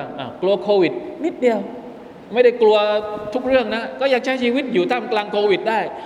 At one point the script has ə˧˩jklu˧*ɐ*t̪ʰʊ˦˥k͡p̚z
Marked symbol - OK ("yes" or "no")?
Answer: no